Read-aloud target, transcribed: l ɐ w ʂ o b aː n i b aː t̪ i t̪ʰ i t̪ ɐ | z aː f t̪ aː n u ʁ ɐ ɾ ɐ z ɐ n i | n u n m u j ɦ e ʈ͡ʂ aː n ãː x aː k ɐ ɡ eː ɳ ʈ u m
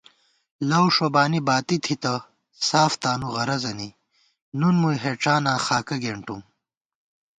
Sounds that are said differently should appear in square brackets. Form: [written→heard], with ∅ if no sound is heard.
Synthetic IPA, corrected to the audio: l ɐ w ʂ o b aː n i b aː t̪ i t̪ʰ i t̪ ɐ | [z→s] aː f t̪ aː n u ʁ ɐ ɾ ɐ z ɐ n i | n u n m u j ɦ e ʈ͡ʂ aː n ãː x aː k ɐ ɡ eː ɳ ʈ u m